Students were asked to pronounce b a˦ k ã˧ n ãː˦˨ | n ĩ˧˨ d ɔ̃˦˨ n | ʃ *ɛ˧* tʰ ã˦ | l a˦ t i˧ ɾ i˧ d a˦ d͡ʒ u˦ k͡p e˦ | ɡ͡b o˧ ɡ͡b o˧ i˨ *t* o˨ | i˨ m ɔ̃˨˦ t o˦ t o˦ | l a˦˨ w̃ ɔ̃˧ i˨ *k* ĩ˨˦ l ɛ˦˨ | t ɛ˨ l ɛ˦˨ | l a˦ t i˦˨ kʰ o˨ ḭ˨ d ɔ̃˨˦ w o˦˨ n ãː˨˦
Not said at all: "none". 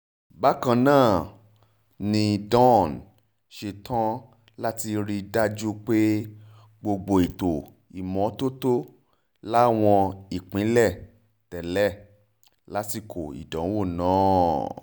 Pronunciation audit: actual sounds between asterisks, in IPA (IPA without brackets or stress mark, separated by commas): e˧, t, k͡p